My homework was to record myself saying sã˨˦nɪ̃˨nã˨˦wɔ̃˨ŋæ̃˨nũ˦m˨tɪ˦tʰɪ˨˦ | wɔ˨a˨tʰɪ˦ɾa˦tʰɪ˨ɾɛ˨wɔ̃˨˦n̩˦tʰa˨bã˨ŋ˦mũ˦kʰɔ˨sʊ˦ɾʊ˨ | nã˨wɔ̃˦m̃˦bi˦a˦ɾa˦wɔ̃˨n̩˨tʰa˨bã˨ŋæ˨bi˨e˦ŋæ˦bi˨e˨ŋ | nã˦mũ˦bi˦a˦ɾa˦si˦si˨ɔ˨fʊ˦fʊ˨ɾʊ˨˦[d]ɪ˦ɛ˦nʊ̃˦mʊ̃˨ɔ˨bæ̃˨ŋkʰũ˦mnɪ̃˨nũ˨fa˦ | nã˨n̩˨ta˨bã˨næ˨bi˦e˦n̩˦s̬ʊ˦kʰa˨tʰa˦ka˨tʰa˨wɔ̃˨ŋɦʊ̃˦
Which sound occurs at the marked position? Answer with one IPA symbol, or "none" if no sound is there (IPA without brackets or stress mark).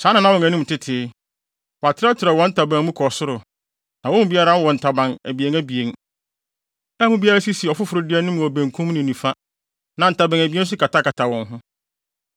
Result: d